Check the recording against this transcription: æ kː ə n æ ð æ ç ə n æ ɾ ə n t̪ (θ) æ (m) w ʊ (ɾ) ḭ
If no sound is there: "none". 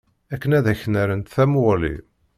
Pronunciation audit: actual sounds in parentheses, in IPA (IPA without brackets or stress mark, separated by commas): θ, m, l